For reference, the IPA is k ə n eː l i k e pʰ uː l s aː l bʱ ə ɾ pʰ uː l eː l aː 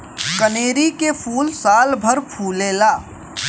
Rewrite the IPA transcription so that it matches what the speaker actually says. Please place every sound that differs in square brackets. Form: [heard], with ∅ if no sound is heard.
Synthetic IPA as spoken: k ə n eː [ɾ] i k e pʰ uː l s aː l bʱ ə ɾ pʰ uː l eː l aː